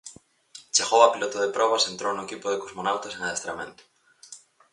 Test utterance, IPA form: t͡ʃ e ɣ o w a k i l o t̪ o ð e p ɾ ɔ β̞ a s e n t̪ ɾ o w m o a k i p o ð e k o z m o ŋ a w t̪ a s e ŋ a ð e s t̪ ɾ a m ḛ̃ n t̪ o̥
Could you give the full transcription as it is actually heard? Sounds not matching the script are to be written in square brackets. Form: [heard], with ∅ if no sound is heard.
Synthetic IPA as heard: t͡ʃ e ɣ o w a [p] i l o t̪ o ð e p ɾ ɔ β̞ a s e n t̪ ɾ o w [n] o [e] k i p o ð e k o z m o [n] a w t̪ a s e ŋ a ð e s t̪ ɾ a m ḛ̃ n t̪ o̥